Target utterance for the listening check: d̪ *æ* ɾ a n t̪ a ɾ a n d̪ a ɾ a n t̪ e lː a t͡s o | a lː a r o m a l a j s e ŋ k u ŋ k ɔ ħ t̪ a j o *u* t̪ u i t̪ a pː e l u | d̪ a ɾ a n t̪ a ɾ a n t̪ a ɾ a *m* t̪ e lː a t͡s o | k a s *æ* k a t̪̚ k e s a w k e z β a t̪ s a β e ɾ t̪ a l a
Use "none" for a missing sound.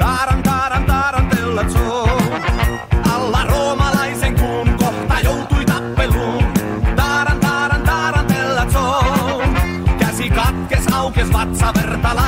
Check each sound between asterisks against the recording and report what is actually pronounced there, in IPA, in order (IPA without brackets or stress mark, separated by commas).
a, w, n, i